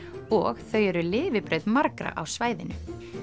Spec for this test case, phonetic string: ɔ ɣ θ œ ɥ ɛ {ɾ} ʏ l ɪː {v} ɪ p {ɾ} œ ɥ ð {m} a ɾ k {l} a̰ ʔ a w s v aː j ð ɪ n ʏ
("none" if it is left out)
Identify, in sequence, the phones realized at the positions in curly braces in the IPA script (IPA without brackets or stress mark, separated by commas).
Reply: ɾ, v, ɾ, m, ɾ